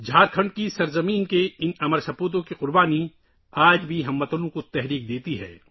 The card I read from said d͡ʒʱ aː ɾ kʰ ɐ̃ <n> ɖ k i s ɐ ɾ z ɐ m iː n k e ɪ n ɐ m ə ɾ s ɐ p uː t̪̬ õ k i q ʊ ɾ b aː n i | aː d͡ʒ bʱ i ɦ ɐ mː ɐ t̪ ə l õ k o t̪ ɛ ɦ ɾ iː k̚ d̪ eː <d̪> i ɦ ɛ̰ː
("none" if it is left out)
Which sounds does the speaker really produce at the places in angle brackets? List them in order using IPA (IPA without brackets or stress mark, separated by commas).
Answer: ɳ, t̪